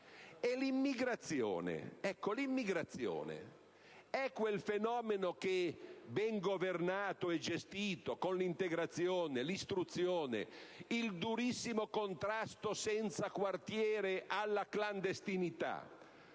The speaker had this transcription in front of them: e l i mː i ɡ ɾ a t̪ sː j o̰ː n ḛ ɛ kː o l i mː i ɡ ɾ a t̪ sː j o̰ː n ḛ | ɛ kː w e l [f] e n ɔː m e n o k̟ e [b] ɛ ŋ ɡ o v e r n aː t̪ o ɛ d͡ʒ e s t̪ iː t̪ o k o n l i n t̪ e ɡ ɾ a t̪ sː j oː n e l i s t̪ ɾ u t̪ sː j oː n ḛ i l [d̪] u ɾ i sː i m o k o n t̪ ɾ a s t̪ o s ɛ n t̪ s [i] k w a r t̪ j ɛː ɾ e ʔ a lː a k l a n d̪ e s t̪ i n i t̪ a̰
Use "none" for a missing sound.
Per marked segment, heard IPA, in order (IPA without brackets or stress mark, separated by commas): f, b, d̪, a